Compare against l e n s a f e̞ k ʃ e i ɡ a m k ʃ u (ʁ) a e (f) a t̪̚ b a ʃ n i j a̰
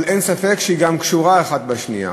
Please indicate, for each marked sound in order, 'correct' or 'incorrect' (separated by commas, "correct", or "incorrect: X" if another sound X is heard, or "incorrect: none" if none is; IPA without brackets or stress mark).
correct, incorrect: χ